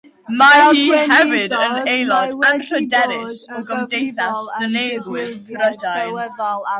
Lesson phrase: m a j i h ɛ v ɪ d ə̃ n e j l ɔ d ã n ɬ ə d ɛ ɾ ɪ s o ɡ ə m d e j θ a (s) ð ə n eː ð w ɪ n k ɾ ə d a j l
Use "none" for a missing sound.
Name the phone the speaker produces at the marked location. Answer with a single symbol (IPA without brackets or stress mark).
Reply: s